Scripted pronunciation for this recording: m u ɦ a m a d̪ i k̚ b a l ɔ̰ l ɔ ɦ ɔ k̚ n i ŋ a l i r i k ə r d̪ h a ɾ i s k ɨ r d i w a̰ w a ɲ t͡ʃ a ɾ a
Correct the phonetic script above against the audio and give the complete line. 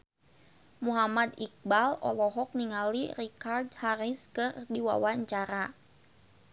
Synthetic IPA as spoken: m u ɦ a m a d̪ i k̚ b a l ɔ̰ l ɔ ɦ ɔ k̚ n i ŋ a l i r i k a r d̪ h a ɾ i s k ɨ r d i w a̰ w a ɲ t͡ʃ a ɾ a